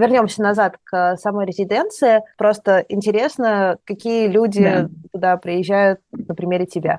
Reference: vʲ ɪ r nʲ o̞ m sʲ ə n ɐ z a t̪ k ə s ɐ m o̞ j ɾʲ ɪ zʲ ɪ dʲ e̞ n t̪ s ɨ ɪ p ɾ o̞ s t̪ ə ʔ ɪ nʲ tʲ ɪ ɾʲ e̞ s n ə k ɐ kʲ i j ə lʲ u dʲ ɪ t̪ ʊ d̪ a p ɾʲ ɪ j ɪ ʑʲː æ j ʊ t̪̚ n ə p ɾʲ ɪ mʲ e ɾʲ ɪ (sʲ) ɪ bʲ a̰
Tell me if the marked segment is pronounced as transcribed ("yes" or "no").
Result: no